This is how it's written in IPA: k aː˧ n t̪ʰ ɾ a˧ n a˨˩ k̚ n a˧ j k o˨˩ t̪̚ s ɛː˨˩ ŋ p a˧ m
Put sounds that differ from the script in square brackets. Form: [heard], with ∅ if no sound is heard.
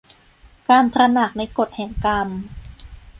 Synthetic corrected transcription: k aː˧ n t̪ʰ ɾ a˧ n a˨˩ k̚ n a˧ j k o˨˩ t̪̚ [h] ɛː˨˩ ŋ [k] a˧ m